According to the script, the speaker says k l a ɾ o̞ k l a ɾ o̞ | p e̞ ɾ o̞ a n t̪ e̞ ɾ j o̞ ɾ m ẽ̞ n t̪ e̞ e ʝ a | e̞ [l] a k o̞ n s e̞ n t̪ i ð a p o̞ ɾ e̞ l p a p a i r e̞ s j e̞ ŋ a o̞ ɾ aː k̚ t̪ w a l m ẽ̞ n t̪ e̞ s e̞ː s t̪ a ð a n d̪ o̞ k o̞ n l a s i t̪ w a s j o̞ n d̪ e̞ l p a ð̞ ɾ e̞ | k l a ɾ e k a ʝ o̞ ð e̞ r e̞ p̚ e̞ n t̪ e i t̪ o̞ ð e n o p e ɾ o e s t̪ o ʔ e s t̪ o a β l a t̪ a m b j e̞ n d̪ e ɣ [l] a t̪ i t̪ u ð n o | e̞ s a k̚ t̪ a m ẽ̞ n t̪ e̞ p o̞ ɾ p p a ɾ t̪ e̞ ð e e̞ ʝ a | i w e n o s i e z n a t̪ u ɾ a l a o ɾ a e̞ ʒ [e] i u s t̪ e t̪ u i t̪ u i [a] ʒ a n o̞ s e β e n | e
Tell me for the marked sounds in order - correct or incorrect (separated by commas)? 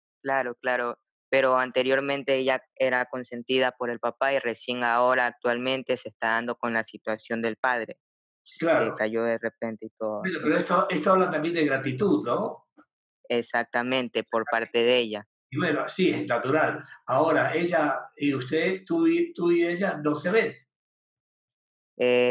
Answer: incorrect, incorrect, incorrect, incorrect